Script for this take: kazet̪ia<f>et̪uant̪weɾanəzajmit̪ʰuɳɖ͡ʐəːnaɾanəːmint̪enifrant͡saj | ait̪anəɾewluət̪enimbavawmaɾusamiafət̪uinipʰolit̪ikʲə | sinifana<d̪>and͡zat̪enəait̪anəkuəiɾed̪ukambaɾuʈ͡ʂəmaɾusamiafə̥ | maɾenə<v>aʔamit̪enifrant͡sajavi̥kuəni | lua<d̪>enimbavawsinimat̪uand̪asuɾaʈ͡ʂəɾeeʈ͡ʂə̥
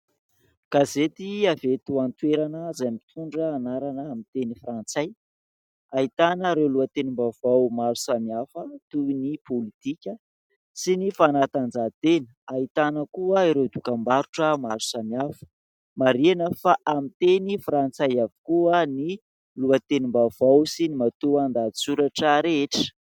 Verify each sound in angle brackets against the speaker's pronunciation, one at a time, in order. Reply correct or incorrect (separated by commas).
incorrect, incorrect, incorrect, incorrect